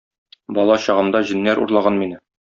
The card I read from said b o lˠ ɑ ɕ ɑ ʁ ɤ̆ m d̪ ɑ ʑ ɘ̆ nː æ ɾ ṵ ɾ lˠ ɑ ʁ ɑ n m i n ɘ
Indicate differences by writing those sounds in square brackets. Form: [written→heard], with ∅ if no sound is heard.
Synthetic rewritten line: b [o→ɒ] lˠ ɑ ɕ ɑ ʁ ɤ̆ m d̪ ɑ ʑ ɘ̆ nː æ ɾ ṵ ɾ lˠ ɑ ʁ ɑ n m i n ɘ